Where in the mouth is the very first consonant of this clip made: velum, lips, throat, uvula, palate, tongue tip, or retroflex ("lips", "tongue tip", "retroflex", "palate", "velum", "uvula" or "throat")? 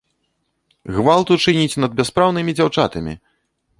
velum